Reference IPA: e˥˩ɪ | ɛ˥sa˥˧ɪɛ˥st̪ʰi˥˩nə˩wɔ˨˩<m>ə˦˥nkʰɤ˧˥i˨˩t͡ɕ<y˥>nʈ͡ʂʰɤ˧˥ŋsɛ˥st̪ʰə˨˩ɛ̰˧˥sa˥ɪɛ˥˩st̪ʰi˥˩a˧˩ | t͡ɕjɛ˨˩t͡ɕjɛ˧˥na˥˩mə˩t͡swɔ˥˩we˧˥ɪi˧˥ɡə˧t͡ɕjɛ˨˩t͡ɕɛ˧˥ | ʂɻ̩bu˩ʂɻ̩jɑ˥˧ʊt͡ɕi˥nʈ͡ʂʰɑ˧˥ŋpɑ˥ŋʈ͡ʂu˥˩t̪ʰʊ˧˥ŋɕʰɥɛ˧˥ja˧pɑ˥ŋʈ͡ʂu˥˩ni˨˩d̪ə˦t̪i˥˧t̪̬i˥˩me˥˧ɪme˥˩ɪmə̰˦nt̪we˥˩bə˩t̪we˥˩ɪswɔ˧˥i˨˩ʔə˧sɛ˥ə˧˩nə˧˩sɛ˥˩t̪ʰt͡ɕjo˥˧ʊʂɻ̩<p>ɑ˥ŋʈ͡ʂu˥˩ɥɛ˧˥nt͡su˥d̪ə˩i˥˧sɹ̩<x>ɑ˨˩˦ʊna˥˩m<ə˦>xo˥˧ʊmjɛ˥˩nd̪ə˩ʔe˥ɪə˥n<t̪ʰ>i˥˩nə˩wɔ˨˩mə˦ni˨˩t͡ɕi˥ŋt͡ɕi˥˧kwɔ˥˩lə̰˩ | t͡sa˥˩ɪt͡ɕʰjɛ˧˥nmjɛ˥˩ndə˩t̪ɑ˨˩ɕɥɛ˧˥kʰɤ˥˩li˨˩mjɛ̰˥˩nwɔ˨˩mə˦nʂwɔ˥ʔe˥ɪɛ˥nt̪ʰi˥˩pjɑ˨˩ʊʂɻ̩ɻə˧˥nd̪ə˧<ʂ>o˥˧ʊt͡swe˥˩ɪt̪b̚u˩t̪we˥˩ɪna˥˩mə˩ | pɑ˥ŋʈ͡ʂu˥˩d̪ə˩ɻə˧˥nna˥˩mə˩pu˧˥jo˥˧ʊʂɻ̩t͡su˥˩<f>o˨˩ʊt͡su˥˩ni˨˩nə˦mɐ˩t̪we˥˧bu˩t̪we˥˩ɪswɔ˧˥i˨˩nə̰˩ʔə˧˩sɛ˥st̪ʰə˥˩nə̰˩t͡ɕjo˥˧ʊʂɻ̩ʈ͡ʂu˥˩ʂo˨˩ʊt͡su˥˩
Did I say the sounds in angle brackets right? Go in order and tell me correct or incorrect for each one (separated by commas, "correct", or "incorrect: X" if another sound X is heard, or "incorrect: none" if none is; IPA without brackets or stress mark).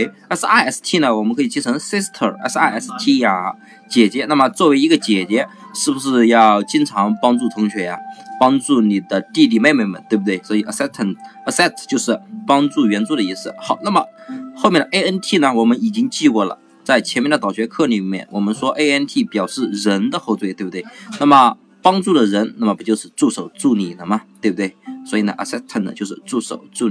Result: correct, incorrect: i˥, correct, correct, incorrect: ə˩, correct, incorrect: x, incorrect: ʂ